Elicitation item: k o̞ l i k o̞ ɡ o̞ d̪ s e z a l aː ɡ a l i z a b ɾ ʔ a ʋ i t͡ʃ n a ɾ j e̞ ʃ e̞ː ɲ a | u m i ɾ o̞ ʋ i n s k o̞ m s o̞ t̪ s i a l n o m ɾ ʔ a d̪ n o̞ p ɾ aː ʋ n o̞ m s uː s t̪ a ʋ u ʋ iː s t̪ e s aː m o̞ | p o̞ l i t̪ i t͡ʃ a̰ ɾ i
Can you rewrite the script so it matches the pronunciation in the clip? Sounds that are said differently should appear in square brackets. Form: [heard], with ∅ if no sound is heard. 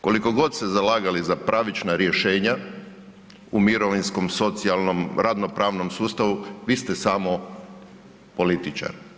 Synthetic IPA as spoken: k o̞ l i k o̞ ɡ o̞ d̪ s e z a l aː ɡ a l i z a [p] ɾ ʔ a ʋ i t͡ʃ n a ɾ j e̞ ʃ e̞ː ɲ a | u m i ɾ o̞ ʋ i n s k o̞ m s o̞ t̪ s i a l n o m ɾ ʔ a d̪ n o̞ p ɾ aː ʋ n o̞ m s uː s t̪ a ʋ u ʋ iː s t̪ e s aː m o̞ | p o̞ l i t̪ i t͡ʃ a̰ ɾ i